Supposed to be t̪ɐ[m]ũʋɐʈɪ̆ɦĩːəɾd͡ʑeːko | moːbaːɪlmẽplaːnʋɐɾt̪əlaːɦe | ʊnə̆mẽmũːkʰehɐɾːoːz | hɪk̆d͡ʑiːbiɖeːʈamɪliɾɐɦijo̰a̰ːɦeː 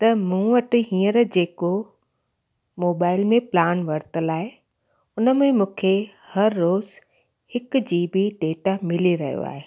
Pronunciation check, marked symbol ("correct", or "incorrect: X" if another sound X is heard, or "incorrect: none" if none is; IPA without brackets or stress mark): correct